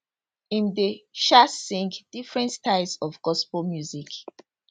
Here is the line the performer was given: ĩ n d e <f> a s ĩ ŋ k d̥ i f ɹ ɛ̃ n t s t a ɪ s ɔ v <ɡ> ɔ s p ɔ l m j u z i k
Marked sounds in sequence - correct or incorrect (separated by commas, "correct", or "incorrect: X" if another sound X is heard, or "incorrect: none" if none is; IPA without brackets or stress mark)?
incorrect: ʃ, correct